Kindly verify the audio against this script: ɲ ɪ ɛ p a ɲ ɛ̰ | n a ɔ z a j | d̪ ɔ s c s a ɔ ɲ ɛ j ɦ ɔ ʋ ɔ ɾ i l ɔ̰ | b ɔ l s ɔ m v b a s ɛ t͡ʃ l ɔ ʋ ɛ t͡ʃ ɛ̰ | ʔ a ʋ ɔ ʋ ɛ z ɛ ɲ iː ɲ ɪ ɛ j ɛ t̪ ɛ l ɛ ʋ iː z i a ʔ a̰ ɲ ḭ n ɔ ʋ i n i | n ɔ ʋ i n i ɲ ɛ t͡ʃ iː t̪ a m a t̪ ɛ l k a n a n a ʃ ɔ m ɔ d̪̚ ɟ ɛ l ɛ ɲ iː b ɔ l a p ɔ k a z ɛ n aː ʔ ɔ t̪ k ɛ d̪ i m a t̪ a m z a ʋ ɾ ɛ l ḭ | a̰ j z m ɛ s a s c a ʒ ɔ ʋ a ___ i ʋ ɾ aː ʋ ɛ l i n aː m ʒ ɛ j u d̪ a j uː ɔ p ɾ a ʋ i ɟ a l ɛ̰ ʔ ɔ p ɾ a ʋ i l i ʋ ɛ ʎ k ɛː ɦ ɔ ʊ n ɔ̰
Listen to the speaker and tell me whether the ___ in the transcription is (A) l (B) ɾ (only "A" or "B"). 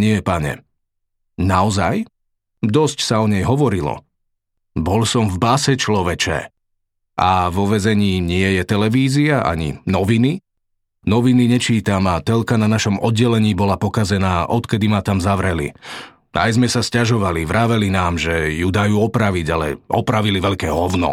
A